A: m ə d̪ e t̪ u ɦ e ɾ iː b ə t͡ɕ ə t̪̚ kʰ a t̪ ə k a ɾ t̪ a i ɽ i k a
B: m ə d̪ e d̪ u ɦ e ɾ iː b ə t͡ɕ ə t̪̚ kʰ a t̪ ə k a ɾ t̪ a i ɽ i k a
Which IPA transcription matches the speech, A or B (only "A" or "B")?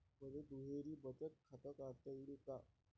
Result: B